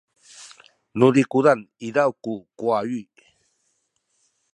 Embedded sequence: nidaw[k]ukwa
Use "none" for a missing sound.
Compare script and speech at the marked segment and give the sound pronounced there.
k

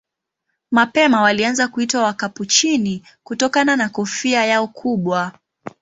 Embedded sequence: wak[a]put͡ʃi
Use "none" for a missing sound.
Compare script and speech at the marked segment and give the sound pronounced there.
a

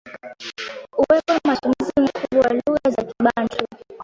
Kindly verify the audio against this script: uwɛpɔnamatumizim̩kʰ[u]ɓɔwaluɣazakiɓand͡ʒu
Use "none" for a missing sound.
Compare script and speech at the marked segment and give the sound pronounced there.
u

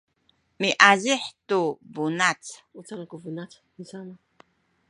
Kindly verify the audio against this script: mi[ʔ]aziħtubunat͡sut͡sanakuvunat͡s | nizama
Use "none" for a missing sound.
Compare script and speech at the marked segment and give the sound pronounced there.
ʔ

